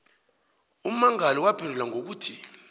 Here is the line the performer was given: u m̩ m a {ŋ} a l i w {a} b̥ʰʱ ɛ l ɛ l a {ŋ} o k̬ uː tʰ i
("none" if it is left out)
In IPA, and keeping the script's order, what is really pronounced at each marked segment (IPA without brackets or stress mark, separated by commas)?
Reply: ŋ, a, ŋ